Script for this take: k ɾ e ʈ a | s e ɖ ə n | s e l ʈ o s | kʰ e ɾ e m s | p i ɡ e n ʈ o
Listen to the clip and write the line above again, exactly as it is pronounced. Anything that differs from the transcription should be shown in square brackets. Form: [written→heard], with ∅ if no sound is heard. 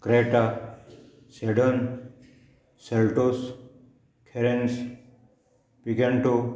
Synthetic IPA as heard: k ɾ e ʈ a | s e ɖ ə n | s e l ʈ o s | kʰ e ɾ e [m→n] s | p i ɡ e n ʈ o